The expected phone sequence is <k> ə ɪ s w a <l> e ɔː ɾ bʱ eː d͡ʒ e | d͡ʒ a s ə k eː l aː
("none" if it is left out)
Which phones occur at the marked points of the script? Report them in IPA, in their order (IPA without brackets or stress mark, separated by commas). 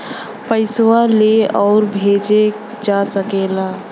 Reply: p, l